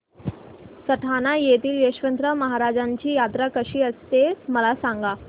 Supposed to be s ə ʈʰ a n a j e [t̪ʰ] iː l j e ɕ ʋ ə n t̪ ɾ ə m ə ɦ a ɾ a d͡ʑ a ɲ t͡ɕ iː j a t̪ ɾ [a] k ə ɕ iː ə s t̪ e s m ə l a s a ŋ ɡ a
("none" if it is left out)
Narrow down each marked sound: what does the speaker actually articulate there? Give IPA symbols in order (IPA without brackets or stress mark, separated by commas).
t̪, a